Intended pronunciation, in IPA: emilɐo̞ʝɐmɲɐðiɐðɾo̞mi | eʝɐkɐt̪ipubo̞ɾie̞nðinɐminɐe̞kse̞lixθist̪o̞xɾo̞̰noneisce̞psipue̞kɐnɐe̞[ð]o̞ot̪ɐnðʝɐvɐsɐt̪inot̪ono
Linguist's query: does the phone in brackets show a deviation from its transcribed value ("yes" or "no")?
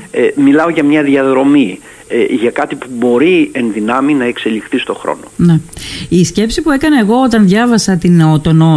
yes